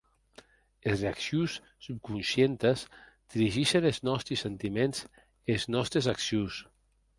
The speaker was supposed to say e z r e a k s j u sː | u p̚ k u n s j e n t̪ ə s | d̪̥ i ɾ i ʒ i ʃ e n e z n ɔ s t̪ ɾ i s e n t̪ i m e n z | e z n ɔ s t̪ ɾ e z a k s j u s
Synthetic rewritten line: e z r e a k s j u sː | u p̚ k u n s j e n t̪ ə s | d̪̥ i ɾ i ʒ i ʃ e n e z n ɔ s t̪ ɾ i s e n t̪ i m e n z | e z n ɔ s t̪ ɾ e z a k s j u s

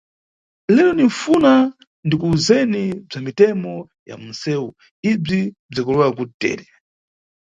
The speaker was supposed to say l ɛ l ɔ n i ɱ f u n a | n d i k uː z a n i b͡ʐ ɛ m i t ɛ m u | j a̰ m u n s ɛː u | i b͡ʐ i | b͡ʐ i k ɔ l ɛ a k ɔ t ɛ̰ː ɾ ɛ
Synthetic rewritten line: l ɛ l ɔ n i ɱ f u n a | n d i k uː z ɛ n i b͡ʐ a m i t ɛ m ɔ | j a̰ m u n s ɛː u | i b͡ʐ i | b͡ʐ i k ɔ l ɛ a k u t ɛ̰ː ɾ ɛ

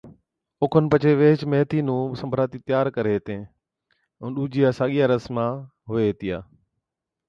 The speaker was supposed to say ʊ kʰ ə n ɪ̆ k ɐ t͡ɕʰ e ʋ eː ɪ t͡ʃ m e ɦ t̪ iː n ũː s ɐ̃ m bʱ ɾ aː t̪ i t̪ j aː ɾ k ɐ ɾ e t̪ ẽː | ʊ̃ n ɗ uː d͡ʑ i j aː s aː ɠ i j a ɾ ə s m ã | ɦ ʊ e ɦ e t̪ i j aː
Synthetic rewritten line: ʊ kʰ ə n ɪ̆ p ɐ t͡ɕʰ e ʋ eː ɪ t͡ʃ m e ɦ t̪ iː n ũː s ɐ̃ m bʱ ɾ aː t̪ i t̪ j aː ɾ k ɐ ɾ e t̪ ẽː | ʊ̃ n ɗ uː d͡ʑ i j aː s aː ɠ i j a ɾ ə s m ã | ɦ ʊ e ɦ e t̪ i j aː

